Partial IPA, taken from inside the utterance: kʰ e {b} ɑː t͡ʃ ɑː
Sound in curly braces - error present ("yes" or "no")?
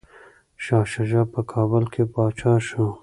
yes